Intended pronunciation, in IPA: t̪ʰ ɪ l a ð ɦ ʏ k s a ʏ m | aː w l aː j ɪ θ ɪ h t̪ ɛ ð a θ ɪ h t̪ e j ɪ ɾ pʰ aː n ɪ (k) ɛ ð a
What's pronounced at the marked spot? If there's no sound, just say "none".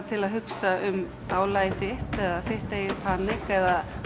k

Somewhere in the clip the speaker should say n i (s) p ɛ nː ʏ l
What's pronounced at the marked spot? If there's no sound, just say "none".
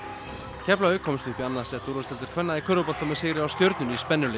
s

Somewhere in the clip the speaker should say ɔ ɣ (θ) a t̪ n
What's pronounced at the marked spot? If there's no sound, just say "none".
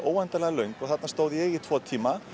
θ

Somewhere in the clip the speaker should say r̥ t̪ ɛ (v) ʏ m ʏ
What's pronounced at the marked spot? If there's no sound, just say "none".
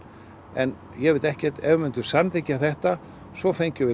v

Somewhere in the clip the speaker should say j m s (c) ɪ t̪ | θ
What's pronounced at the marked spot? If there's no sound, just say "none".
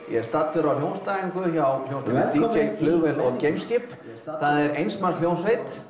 c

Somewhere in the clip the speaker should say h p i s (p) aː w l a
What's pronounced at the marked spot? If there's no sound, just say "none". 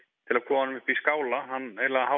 k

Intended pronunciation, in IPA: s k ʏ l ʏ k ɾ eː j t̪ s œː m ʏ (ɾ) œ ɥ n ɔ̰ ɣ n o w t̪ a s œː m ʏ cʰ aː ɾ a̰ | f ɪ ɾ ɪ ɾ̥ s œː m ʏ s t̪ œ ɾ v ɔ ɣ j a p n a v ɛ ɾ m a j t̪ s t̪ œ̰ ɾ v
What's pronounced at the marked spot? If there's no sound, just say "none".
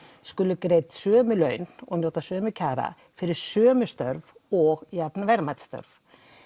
l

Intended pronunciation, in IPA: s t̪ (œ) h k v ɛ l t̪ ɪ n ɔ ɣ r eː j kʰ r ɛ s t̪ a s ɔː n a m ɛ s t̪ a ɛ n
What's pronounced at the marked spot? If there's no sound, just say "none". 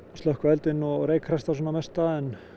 œ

